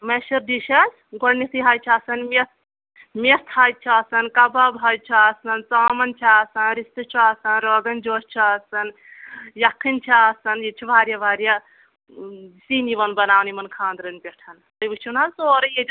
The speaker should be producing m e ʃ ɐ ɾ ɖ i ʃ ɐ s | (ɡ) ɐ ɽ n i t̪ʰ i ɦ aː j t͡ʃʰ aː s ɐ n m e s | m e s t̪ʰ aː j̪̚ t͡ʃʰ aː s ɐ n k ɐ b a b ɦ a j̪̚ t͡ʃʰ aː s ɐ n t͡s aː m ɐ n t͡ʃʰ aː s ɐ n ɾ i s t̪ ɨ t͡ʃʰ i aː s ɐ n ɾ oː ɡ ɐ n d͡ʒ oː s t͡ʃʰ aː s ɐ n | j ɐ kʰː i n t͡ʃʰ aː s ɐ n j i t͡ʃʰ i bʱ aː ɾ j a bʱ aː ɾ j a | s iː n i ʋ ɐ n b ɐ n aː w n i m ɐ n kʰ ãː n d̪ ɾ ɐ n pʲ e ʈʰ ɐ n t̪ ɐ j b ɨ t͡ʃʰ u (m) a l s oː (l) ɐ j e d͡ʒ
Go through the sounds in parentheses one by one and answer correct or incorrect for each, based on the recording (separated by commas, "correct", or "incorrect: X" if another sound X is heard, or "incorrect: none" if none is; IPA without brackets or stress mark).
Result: correct, incorrect: n, incorrect: ɾ